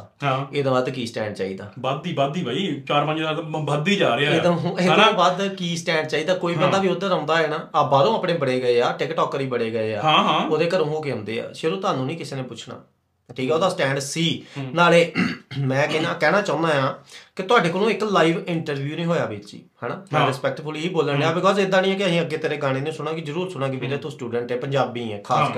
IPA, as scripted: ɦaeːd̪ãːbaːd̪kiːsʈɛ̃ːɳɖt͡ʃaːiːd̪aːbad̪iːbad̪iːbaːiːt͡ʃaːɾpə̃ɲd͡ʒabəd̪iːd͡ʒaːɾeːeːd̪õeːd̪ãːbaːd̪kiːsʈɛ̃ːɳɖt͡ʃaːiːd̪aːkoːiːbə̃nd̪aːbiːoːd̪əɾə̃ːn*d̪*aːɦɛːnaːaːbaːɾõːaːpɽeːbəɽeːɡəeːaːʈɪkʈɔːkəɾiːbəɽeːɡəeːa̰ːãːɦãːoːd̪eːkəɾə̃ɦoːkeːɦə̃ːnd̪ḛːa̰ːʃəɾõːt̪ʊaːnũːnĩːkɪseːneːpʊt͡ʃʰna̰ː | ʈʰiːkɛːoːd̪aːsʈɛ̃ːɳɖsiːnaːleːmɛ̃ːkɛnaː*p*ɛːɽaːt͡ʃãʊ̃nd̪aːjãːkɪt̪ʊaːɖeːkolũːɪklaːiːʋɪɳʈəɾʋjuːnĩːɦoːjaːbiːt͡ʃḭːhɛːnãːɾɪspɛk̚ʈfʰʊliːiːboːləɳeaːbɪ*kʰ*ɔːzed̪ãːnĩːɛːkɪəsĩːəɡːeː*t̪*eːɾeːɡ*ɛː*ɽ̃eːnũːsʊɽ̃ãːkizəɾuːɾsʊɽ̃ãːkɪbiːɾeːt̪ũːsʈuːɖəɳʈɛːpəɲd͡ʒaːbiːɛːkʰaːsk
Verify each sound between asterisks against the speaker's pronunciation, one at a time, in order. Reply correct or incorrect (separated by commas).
correct, incorrect, incorrect, correct, incorrect